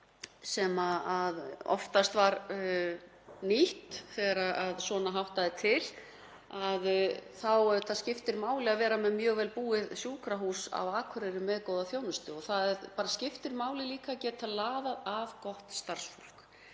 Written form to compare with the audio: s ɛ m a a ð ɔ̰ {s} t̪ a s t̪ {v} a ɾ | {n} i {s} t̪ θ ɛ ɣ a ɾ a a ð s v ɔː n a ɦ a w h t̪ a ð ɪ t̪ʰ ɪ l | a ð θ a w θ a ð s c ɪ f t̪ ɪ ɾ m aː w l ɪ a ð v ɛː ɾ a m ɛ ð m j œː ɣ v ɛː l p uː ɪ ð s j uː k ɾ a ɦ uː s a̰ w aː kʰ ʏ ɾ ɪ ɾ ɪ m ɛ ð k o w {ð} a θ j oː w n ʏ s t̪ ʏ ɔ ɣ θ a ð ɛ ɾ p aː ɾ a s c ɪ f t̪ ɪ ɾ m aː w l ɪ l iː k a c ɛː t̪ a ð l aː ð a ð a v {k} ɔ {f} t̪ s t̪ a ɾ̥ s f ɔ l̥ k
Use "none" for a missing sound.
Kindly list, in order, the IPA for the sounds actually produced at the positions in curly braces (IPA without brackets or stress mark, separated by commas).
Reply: f, v, n, h, ð, k, h